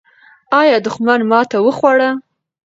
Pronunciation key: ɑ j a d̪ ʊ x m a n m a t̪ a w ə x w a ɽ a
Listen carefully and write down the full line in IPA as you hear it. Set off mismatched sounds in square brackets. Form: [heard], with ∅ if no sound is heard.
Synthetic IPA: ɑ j [ɑ] d̪ ʊ x m a n m [ɑ] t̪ a w ə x w a ɽ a